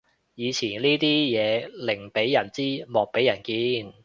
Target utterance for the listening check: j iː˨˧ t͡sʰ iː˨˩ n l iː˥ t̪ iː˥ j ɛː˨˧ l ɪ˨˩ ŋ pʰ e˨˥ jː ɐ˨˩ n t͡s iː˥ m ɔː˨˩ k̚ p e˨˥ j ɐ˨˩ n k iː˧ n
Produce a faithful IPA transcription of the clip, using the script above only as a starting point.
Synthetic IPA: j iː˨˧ t͡sʰ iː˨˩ n l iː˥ t̪ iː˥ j ɛː˨˧ l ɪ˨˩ ŋ p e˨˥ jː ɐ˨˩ n t͡s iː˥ m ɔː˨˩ k̚ p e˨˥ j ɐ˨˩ n k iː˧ n